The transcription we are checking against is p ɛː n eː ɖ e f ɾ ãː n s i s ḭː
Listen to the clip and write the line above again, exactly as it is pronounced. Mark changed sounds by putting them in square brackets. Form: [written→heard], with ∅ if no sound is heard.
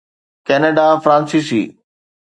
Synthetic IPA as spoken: [p→k] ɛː n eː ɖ [e→a] f ɾ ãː n s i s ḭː